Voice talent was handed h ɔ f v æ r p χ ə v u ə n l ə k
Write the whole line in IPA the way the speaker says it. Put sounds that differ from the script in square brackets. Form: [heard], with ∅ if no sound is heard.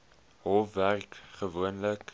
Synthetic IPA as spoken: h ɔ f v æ r [k] χ ə v u ə n l ə k